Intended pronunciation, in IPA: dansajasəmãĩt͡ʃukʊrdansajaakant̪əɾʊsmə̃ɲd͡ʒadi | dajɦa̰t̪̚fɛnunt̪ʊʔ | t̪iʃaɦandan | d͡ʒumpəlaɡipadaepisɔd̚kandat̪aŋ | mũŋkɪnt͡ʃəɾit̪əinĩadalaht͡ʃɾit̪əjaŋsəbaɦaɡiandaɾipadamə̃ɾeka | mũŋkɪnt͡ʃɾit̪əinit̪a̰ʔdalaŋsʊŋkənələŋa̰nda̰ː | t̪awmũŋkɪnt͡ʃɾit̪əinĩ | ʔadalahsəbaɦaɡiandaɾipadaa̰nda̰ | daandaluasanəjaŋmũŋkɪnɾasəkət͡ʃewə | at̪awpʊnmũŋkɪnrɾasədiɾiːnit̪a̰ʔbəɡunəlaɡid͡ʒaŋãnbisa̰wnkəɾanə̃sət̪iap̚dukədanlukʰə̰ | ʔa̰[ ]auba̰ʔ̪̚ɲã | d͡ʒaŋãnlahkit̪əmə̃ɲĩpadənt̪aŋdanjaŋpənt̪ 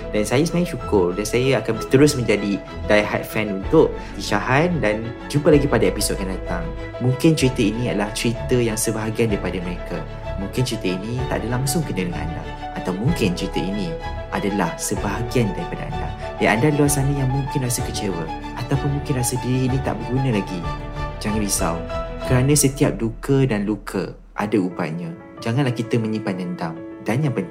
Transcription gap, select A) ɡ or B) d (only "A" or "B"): B